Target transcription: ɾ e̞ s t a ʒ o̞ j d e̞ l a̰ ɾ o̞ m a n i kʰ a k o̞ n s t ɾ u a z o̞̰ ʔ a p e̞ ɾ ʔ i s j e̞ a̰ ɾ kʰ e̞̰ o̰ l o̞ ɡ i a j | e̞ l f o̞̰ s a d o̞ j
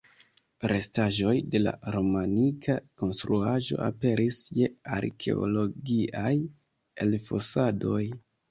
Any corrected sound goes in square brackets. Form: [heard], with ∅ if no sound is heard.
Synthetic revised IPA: ɾ e̞ s t a ʒ o̞ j d e̞ l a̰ ɾ o̞ m a n i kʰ a k o̞ n s t ɾ u a [ʒ] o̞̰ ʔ a p e̞ ɾ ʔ i s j e̞ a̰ ɾ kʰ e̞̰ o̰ l o̞ ɡ i a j | e̞ l f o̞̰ s a d o̞ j

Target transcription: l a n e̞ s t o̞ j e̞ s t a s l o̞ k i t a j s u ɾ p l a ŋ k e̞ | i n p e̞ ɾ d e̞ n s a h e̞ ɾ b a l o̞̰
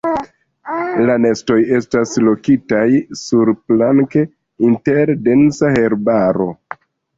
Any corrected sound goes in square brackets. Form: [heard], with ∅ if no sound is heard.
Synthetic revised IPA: l a n e̞ s t o̞ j e̞ s t a s l o̞ k i t a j s u ɾ p l a ŋ k e̞ | i n [t] e̞ ɾ d e̞ n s a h e̞ ɾ b a [ɾ] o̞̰

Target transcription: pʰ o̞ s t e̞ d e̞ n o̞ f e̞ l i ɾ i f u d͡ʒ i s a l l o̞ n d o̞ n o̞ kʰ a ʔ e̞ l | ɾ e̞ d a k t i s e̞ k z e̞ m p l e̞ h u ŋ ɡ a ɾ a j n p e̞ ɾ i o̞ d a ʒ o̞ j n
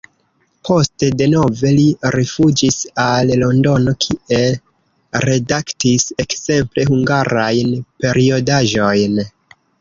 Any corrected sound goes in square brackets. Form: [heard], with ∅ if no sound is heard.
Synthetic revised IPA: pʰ o̞ s t e̞ d e̞ n o̞ [v] e̞ l i ɾ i f u d͡ʒ i s a l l o̞ n d o̞ n o̞ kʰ [i] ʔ e̞ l | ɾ e̞ d a k t i s e̞ k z e̞ m p l e̞ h u ŋ ɡ a ɾ a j n p e̞ ɾ i o̞ d a ʒ o̞ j n

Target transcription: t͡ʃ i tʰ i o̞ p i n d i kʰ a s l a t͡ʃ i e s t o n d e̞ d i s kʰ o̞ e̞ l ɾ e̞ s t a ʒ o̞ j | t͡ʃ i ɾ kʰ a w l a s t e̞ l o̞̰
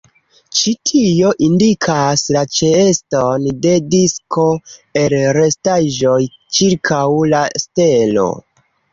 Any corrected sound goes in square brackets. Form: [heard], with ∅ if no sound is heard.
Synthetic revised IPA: t͡ʃ i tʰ i o̞ [ʔ] i n d i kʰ a s l a t͡ʃ [e] e s t o n d e̞ d i s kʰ o̞ e̞ l ɾ e̞ s t a ʒ o̞ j | t͡ʃ i ɾ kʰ a w l a s t e̞ l o̞̰

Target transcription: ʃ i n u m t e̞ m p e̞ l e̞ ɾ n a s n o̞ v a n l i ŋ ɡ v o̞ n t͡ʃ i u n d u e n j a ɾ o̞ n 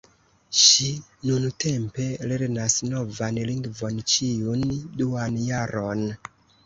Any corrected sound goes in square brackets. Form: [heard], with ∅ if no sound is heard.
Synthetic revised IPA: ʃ i n u [n] t e̞ m p e̞ l e̞ ɾ n a s n o̞ v a n l i ŋ ɡ v o̞ n t͡ʃ i u n d u [a] n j a ɾ o̞ n

